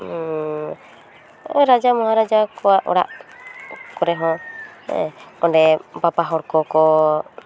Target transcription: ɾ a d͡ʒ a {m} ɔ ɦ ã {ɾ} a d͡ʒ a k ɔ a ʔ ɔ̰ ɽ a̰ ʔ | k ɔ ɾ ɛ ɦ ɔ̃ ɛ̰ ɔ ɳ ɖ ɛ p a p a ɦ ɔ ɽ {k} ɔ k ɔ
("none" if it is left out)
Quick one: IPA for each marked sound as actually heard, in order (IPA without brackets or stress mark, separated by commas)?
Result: m, ɾ, k